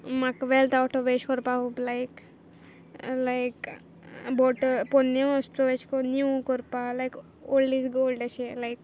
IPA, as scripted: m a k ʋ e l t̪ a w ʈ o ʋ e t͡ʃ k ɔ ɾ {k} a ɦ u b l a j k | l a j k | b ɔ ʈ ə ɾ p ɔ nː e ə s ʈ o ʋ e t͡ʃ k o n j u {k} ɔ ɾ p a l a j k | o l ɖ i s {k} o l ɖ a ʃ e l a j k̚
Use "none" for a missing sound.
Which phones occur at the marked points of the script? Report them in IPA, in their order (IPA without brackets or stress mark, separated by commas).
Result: p, k, ɡ